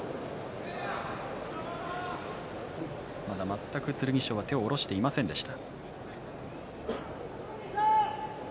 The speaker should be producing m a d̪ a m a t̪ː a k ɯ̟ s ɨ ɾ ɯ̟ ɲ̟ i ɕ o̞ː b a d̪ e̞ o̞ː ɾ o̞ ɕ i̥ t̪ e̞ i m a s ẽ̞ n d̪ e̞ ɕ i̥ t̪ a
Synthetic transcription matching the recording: m a d̪ a m a t̪ː a k ɯ̟ t͡s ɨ ɾ ɯ̟ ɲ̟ i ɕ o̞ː β a t̪ e̞ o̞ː ɾ o̞ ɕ i̥ t̪ e̞ i m a s ẽ̞ n d̪ e̞ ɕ i̥ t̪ a